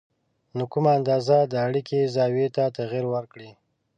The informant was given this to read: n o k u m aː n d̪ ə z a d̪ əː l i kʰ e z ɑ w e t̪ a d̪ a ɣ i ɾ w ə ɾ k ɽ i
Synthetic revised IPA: n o k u m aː n d̪ ɑ z a d̪ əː ɽ i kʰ e z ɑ w e t̪ a t̪ a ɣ i ɾ w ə ɾ k ɽ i